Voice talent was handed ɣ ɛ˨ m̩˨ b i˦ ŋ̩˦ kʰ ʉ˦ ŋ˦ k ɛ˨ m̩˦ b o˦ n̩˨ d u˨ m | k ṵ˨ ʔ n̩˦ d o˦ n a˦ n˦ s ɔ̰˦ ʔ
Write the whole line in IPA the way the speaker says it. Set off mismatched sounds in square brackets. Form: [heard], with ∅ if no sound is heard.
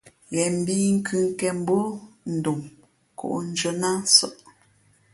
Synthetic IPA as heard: ɣ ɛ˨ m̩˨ b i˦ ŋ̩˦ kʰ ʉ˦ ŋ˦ k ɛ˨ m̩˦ b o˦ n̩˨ d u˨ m | k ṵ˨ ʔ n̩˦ [d͡ʒ] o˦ n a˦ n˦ s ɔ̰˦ ʔ